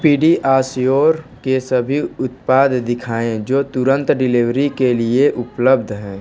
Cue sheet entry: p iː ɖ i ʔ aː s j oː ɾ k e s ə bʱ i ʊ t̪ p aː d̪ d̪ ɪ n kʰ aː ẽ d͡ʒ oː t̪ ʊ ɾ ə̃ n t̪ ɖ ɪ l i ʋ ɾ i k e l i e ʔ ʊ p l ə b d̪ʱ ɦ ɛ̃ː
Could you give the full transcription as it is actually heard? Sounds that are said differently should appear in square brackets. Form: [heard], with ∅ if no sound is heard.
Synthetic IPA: p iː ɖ i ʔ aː s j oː ɾ k e s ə bʱ i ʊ t̪ p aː d̪ d̪ ɪ [∅] kʰ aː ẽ d͡ʒ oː t̪ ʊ ɾ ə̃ n t̪ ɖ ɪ l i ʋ ɾ i k e l i e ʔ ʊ p l ə b d̪ʱ ɦ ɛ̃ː

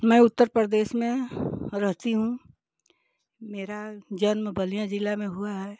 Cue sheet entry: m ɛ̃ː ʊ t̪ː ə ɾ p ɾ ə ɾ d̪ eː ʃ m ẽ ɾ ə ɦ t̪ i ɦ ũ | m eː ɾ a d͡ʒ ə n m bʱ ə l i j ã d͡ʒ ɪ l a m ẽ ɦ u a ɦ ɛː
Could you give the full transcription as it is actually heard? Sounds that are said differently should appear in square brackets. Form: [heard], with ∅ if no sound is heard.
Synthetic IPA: m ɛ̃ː ʊ t̪ː ə ɾ p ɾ ə ɾ d̪ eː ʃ m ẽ ɾ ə ɦ t̪ i ɦ ũ | m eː ɾ a d͡ʒ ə n m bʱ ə l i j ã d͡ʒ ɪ l a m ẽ ɦ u a ɦ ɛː

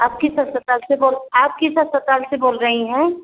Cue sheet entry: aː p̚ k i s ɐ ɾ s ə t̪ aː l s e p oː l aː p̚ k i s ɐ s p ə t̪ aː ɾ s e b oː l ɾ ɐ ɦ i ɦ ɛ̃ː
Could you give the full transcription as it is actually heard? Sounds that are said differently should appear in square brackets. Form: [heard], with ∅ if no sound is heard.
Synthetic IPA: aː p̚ k i s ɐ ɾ s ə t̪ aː l s e [b] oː l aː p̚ k i s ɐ s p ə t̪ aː [l] s e b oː l ɾ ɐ ɦ i ɦ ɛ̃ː

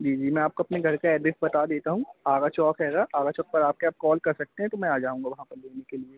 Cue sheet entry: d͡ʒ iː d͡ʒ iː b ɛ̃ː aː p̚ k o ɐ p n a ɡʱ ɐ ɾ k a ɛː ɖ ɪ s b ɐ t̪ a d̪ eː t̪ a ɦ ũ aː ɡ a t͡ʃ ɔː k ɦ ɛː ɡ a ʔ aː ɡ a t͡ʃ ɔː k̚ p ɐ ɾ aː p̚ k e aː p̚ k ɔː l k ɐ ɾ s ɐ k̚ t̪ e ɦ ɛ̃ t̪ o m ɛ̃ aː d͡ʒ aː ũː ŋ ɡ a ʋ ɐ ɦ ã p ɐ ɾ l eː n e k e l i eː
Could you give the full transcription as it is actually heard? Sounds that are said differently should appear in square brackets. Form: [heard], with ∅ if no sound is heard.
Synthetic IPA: d͡ʒ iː d͡ʒ iː [m] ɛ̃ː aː p̚ k o ɐ p n [e] ɡʱ ɐ ɾ k a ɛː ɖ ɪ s b ɐ t̪ a d̪ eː t̪ a ɦ ũ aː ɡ a t͡ʃ ɔː k ɦ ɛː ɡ a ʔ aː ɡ a t͡ʃ ɔː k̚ p ɐ ɾ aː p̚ k e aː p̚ k ɔː l k ɐ ɾ s ɐ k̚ t̪ e ɦ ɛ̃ t̪ o m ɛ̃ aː d͡ʒ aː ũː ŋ ɡ a ʋ ɐ ɦ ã p ɐ ɾ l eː n e k e l i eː

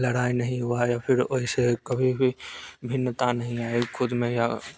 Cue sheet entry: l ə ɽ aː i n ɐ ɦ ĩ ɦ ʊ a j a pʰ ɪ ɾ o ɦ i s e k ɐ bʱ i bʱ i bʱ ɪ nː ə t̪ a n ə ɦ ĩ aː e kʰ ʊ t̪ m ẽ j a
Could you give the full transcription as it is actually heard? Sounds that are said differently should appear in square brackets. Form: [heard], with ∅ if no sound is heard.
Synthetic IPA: l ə ɽ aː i n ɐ ɦ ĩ ɦ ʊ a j a pʰ ɪ ɾ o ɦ i s e k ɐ bʱ i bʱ i bʱ ɪ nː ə t̪ a n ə ɦ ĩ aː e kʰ ʊ [d̪] m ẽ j a

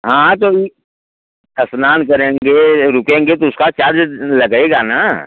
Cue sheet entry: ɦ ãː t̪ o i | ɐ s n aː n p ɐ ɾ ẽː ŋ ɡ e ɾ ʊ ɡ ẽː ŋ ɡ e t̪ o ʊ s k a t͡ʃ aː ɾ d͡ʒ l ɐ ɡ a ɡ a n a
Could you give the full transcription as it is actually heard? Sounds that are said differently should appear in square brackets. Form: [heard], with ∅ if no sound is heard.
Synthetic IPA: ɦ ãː t̪ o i | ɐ s n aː n [k] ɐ ɾ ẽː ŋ ɡ e ɾ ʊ [k] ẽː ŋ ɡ e t̪ o ʊ s k a t͡ʃ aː ɾ d͡ʒ l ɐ ɡ [e] ɡ a n a

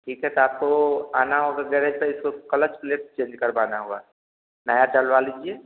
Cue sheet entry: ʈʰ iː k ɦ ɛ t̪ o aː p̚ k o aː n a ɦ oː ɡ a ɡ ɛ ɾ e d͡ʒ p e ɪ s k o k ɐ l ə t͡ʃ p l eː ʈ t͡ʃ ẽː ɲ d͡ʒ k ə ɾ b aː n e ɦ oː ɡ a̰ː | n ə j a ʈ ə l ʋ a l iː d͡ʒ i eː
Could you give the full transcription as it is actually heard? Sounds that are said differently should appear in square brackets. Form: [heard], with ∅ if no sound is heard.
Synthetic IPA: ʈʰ iː k ɦ ɛ t̪ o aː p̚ k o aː n a ɦ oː ɡ a ɡ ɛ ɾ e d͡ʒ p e ɪ s k o k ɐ l ə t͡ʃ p l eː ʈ t͡ʃ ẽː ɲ d͡ʒ k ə ɾ b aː n [a] ɦ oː ɡ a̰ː | n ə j a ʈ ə l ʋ a l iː d͡ʒ i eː

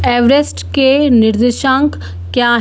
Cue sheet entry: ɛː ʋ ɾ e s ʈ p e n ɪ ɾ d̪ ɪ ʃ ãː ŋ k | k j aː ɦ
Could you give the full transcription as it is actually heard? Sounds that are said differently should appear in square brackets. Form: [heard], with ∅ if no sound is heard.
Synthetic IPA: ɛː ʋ ɾ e s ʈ [k] e n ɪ ɾ d̪ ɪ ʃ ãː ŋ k | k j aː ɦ

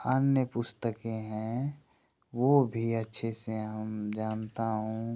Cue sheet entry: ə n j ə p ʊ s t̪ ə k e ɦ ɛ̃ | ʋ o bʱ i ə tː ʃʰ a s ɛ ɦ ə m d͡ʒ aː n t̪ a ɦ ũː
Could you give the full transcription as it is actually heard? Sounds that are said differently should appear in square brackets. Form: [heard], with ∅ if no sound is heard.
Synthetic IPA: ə n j ə p ʊ s t̪ ə k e ɦ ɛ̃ | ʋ o bʱ i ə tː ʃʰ [e] s [e] ɦ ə m d͡ʒ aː n t̪ a ɦ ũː

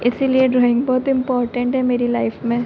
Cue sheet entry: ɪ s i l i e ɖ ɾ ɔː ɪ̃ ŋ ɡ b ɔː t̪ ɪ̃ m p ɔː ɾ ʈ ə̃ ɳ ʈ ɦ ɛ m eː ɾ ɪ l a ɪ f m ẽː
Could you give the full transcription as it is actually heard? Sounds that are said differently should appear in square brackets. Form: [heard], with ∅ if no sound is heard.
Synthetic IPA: ɪ s i l i e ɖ ɾ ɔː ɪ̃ ŋ ɡ b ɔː t̪ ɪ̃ m p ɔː ɾ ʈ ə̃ ɳ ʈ ɦ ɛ m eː ɾ [i] l a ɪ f m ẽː

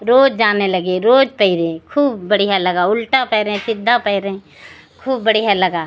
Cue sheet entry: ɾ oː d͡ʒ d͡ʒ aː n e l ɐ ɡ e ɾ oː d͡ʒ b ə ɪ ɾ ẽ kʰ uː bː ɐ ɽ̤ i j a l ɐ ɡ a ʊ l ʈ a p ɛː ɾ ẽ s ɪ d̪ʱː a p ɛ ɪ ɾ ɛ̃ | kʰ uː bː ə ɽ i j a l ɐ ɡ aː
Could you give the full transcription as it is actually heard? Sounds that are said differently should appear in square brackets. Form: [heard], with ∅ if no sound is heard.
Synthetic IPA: ɾ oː d͡ʒ d͡ʒ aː n e l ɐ ɡ e ɾ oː d͡ʒ [p] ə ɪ ɾ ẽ kʰ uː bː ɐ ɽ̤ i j a l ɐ ɡ a ʊ l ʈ a p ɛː ɾ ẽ s ɪ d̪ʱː a p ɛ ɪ ɾ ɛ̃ | kʰ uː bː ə ɽ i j a l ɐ ɡ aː

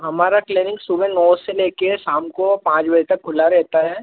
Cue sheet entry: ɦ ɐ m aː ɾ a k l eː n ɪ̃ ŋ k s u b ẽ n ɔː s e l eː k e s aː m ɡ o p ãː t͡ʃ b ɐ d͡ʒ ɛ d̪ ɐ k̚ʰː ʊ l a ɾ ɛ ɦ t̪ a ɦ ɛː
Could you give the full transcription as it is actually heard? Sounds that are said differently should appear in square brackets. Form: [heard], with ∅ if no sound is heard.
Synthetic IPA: ɦ ɐ m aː ɾ a k l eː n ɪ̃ ŋ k s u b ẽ n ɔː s e l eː k e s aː m [k] o p ãː t͡ʃ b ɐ d͡ʒ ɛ [t̪] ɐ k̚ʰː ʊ l a ɾ ɛ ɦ t̪ a ɦ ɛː

